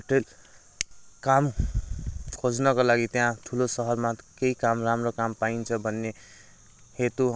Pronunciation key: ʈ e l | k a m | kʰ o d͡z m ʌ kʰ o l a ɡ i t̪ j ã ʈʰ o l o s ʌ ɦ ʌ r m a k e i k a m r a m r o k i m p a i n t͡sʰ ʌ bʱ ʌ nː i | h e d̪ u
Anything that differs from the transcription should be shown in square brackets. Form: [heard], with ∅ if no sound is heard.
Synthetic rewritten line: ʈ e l | k a m | kʰ o d͡z [n] ʌ [k] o l a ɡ i t̪ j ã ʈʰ [u] l o s ʌ ɦ ʌ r m a k e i k a m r a m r o k [a] m p a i n t͡sʰ ʌ bʱ ʌ nː [e] | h e [t̪] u